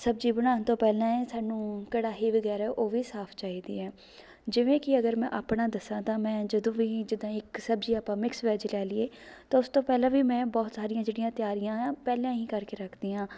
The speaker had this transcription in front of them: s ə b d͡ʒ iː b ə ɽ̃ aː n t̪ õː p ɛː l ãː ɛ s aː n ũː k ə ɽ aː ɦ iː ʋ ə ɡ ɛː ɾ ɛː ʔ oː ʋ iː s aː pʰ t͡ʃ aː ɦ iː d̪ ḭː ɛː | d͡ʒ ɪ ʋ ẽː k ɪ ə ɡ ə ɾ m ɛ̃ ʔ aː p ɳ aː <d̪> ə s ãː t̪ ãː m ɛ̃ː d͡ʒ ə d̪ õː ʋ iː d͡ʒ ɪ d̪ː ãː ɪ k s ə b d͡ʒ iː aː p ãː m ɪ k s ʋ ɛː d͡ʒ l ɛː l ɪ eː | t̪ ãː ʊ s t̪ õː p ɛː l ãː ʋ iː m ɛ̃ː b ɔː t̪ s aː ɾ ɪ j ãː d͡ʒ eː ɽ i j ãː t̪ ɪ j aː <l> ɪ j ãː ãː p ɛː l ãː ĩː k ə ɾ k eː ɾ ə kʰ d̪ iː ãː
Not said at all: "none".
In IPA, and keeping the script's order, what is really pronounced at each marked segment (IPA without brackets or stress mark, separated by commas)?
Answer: d̪, ɾ